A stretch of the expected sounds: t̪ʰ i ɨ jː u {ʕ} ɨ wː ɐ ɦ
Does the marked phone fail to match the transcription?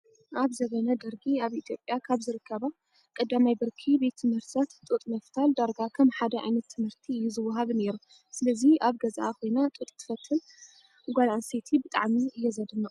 yes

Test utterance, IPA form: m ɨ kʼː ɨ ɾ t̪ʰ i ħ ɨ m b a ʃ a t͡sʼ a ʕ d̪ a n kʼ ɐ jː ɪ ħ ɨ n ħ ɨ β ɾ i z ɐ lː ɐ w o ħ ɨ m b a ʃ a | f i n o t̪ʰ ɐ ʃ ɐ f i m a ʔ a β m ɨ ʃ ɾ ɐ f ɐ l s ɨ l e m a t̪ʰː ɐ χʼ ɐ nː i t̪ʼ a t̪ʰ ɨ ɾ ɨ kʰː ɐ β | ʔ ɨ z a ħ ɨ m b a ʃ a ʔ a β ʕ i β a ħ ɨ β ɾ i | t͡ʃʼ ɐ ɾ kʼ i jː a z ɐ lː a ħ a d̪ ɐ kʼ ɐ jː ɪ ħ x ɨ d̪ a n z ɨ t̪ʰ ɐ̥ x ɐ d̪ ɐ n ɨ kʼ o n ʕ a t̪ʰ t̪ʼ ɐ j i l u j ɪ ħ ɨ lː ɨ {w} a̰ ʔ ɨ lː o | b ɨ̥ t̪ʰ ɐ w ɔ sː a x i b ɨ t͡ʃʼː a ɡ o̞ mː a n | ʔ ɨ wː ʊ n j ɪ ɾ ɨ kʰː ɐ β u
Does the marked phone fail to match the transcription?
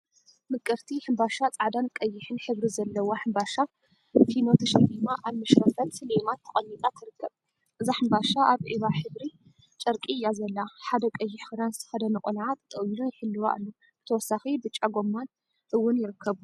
no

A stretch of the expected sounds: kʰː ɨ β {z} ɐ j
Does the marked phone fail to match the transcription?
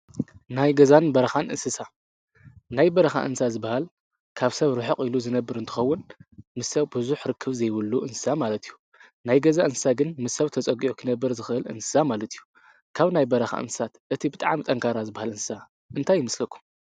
no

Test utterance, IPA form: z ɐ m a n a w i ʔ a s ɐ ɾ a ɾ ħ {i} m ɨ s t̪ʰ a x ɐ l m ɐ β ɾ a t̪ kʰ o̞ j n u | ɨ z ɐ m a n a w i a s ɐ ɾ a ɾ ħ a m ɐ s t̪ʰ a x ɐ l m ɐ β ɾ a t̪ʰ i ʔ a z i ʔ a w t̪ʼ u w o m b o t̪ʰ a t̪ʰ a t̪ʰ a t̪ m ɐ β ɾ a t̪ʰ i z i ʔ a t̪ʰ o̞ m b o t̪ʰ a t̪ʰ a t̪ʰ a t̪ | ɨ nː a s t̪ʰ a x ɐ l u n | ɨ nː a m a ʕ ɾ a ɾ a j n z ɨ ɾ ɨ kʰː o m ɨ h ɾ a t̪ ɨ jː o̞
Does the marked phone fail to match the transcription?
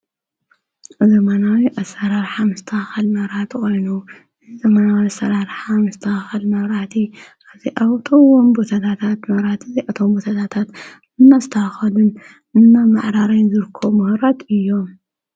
yes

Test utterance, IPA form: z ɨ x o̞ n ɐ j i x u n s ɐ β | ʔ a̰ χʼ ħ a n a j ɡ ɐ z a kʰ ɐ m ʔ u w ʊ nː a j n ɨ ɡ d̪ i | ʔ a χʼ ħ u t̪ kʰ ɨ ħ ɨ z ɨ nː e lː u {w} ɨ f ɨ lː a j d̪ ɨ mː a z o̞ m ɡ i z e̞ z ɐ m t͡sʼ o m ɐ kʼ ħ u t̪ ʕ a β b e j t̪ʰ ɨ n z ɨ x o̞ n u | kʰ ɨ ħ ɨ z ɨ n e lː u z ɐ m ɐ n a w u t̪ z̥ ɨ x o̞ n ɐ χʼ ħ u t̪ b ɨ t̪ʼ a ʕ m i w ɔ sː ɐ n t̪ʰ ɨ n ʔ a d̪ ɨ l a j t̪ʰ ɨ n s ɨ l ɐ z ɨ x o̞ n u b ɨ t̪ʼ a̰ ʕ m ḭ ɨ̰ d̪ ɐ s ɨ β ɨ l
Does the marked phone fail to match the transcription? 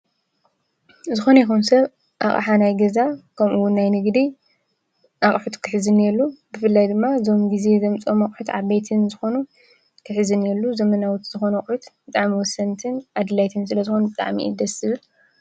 yes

